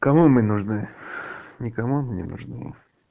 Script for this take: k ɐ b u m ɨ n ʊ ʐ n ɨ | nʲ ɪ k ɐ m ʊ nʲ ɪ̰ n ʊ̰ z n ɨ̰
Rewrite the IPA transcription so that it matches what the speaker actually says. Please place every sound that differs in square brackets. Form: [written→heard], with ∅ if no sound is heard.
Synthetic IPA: k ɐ [b→m] u m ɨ n ʊ ʐ n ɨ | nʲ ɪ k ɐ m [ʊ→u] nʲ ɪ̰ n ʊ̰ [z→ʐ] n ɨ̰